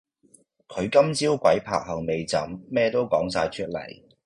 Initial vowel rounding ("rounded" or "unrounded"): rounded